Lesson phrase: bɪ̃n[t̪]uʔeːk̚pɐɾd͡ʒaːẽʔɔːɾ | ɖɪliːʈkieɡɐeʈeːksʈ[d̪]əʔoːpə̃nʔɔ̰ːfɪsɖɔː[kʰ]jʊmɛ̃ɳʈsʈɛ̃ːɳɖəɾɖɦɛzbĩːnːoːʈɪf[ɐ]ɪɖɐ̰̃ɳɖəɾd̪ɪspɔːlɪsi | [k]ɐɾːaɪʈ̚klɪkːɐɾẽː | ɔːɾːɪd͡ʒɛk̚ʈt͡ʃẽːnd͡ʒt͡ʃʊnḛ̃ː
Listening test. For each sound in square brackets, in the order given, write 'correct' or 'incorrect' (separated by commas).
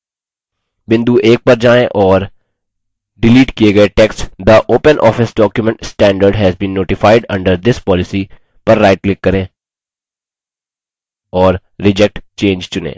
incorrect, correct, incorrect, incorrect, incorrect